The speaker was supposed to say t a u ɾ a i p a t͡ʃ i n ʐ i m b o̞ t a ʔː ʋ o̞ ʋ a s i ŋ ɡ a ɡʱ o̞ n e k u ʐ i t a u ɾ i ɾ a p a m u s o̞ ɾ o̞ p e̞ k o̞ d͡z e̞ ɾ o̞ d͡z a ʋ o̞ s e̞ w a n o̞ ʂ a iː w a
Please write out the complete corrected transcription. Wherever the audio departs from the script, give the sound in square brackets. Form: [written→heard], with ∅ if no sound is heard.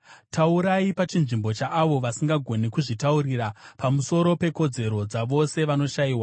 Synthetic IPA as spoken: t a u ɾ a i p a t͡ʃ i n ʐ i m b o̞ [t→t͡ʃ] a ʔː ʋ o̞ ʋ a s i ŋ ɡ a ɡʱ o̞ n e k u ʐ i t a u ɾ i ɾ a p a m u s o̞ ɾ o̞ p e̞ k o̞ d͡z e̞ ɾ o̞ d͡z a ʋ o̞ s e̞ [w→ʋ] a n o̞ [ʂ→ʃ] a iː w a